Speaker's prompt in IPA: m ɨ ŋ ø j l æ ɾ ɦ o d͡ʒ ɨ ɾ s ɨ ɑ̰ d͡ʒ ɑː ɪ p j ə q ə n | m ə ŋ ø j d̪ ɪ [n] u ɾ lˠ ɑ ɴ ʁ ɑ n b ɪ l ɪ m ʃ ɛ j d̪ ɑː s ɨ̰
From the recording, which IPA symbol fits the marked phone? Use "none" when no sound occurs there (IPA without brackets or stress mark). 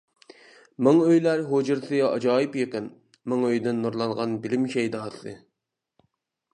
nː